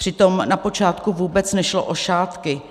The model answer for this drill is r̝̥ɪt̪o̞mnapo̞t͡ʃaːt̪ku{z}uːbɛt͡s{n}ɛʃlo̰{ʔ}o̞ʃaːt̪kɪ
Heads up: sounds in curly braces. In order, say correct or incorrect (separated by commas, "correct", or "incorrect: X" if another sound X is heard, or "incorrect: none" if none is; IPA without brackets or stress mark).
incorrect: v, correct, correct